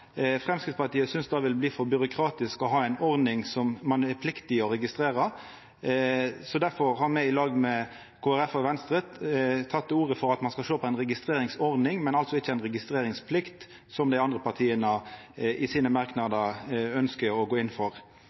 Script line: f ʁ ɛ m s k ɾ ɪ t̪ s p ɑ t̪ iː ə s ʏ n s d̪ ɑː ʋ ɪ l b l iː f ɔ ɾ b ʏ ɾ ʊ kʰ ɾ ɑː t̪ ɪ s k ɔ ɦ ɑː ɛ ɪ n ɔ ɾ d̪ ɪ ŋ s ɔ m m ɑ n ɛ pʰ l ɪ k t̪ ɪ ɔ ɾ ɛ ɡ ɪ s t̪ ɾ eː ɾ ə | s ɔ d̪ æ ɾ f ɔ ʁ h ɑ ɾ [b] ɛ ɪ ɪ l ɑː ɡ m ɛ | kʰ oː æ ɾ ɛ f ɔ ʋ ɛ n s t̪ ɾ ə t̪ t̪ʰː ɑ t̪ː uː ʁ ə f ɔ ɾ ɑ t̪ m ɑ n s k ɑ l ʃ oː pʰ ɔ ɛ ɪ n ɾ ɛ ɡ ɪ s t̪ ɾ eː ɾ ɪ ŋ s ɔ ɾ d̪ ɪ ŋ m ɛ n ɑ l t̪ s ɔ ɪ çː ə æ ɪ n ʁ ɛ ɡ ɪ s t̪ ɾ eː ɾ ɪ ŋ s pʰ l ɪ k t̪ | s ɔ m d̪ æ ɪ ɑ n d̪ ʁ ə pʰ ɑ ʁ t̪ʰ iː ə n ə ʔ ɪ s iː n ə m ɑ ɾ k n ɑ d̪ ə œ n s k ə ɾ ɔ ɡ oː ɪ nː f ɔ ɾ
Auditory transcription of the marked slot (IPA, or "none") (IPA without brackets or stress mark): m